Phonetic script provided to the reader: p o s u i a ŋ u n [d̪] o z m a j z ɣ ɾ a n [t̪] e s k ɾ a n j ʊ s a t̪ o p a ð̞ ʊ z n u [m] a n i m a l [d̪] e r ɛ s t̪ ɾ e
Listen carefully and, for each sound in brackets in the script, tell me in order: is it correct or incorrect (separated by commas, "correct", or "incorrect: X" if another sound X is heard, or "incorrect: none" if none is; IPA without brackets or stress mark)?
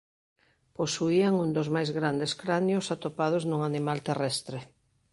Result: correct, incorrect: d̪, incorrect: ŋ, incorrect: t̪